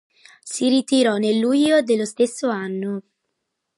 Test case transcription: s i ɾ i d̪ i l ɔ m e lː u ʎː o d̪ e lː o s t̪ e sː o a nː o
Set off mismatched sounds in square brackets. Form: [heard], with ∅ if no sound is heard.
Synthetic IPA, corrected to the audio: s i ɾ i [t̪] i [ɾ] ɔ [n] e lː u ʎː o d̪ e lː o s t̪ e sː o a nː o